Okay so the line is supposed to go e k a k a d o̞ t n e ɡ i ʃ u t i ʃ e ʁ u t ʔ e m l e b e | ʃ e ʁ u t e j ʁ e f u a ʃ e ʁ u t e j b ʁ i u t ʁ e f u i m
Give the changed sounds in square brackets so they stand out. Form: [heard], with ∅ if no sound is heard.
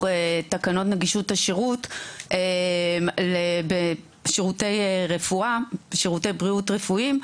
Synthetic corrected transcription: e [t] a k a [n] o̞ t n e ɡ i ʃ u t [a] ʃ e ʁ u t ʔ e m l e b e | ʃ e ʁ u t e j ʁ e f u a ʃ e ʁ u t e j b ʁ i u t ʁ e f u i m